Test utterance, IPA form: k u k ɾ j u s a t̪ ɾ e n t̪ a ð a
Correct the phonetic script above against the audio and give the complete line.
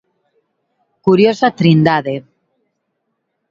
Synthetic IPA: k u ɾ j o s a t̪ ɾ i n d̪ a ð e